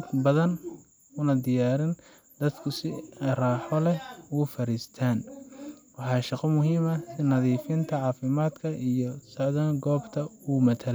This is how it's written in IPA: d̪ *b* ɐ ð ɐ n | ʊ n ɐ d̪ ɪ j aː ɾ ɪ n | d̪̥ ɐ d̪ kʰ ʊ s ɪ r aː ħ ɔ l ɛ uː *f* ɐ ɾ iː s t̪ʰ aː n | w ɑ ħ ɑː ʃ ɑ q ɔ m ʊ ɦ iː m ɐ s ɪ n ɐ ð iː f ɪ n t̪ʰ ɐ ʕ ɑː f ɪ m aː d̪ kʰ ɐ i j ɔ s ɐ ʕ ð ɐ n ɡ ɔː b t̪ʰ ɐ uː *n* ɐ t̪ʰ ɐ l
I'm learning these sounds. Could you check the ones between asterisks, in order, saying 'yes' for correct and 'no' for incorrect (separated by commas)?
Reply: yes, yes, no